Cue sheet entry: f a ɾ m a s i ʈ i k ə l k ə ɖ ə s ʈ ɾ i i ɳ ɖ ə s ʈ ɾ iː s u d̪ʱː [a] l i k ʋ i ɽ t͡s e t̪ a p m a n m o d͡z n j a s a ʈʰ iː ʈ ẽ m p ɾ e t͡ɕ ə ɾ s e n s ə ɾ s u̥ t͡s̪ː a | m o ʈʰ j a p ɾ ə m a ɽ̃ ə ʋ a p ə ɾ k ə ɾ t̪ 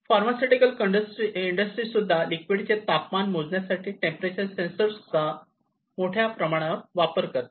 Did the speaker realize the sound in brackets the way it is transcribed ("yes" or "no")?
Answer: yes